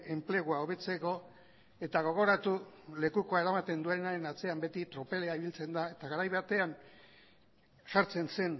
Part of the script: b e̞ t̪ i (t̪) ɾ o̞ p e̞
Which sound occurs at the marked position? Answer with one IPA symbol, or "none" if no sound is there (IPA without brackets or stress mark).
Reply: t̪